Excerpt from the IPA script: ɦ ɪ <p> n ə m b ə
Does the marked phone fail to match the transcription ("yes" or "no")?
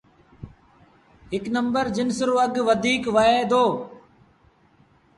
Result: yes